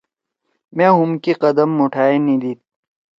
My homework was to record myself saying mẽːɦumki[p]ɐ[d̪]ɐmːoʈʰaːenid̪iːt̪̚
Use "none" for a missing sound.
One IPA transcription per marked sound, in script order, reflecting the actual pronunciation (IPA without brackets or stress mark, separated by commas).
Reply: q, d̪